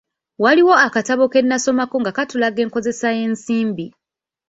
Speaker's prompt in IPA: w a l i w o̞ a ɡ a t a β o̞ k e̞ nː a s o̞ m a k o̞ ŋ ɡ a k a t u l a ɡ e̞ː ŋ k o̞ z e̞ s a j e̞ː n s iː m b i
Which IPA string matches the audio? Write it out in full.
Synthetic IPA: w a l i w o̞ a k a t a β o̞ k e̞ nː a s o̞ m a k o̞ ŋ ɡ a k a t u l a ɡ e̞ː ŋ k o̞ z e̞ s a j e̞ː n s iː m b i